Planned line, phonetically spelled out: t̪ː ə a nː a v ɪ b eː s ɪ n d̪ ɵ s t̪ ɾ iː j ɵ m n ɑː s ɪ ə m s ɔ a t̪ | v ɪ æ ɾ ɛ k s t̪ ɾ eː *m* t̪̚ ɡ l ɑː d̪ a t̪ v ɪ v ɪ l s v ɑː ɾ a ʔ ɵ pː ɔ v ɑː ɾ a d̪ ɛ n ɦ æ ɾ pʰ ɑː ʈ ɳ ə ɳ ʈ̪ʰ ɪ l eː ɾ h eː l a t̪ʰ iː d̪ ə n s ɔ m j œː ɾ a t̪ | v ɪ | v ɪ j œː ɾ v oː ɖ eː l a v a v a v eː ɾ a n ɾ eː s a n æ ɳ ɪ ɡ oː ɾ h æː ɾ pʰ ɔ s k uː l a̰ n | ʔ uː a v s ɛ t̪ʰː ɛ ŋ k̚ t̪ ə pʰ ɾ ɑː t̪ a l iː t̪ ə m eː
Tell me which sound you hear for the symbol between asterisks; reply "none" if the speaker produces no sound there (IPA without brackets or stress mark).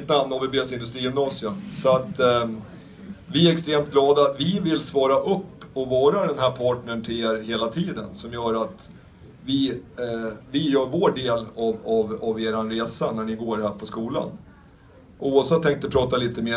m